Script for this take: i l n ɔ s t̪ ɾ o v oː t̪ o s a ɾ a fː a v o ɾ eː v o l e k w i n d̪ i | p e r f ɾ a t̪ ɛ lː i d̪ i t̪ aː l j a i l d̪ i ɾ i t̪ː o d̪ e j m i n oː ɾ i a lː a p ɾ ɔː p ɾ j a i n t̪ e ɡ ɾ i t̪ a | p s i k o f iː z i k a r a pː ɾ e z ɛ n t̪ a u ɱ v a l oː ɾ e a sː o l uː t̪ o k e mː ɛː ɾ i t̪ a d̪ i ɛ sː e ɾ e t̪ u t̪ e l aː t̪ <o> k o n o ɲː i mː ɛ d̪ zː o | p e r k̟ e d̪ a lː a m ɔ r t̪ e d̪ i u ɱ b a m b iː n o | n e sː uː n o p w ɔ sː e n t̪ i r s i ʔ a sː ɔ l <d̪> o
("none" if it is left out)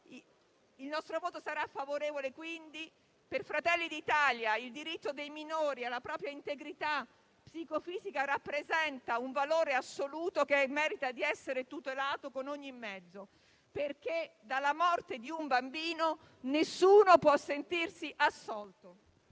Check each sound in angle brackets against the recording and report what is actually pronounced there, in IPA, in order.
o, t̪

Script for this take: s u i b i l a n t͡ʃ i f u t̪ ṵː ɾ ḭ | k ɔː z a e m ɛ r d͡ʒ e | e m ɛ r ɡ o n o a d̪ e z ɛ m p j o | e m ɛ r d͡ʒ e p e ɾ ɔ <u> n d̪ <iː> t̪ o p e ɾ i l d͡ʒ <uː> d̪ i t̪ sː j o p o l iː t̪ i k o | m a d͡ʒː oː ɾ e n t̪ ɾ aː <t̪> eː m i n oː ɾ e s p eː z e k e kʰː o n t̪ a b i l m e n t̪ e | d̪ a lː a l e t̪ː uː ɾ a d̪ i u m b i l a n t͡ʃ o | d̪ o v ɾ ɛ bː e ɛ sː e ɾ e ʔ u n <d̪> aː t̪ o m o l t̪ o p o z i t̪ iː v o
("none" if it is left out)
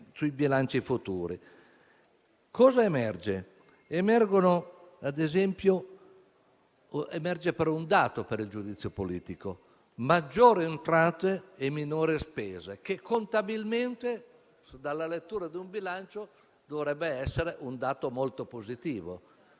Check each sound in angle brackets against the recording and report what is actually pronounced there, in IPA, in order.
u, aː, u, t̪, d̪

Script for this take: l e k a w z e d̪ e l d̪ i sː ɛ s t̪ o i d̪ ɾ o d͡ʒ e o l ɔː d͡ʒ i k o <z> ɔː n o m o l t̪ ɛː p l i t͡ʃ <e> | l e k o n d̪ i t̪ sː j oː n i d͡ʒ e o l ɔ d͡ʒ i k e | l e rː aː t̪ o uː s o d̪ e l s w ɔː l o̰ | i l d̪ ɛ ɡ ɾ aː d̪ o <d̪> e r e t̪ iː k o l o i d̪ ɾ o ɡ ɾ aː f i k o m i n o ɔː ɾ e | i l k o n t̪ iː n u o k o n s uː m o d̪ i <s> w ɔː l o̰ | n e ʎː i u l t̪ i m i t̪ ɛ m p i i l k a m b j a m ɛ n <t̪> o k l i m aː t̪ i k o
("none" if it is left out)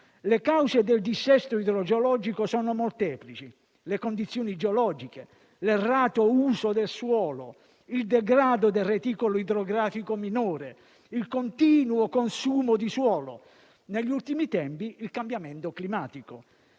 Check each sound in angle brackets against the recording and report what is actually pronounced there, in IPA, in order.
s, i, d̪, s, t̪

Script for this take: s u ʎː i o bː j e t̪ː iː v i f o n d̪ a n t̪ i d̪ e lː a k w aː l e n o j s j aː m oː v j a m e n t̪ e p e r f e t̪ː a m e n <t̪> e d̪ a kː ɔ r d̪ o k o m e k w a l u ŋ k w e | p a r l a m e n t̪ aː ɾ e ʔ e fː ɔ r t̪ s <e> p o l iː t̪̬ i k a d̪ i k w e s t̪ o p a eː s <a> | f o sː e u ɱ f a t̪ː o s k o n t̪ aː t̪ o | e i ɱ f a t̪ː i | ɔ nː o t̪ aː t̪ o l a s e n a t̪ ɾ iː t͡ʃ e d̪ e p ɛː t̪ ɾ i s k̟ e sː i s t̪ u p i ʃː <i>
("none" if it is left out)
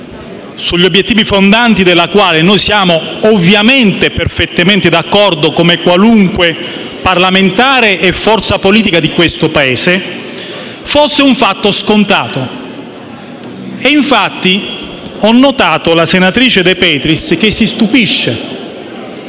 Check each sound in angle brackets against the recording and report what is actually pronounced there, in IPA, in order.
t̪, a, e, e

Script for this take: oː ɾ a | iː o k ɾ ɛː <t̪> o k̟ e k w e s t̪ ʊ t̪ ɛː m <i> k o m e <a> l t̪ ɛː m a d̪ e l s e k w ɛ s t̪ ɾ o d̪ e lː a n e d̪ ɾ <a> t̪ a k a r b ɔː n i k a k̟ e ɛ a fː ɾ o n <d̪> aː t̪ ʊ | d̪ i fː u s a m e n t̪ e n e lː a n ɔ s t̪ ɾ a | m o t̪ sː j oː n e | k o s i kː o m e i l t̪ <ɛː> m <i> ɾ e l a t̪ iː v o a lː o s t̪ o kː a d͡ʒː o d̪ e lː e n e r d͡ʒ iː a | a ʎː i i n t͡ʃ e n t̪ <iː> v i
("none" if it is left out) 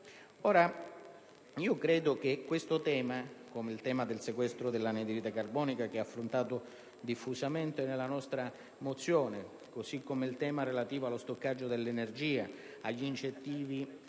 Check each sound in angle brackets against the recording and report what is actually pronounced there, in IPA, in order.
d̪, a, i, i, t̪, ɛː, a, iː

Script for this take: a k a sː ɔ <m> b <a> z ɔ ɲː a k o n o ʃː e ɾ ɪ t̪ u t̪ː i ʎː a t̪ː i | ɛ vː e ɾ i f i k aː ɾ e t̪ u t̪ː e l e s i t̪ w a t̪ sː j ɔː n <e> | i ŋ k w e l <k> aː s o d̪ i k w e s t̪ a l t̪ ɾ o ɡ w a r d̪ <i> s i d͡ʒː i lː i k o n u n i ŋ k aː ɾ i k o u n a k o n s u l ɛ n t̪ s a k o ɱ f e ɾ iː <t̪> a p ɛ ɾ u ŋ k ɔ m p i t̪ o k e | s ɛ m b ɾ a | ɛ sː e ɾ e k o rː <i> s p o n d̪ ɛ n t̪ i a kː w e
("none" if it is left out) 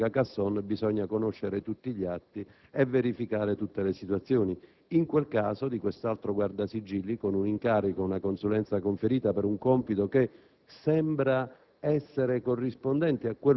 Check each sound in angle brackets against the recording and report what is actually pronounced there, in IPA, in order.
n, i, i, k, a, t̪, i

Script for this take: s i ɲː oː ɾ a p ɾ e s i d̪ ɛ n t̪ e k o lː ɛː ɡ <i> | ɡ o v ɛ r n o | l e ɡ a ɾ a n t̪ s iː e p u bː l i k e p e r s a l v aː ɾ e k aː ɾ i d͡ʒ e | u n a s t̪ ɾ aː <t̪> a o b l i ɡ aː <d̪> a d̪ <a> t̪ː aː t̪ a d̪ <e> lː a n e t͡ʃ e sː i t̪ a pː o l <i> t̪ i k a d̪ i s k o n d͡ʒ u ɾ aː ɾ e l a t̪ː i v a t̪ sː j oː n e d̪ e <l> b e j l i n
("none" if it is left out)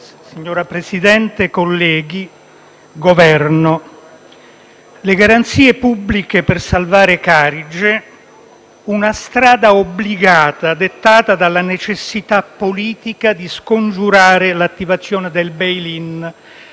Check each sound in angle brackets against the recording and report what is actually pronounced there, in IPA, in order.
i, d̪, t̪, e, a, iː, l

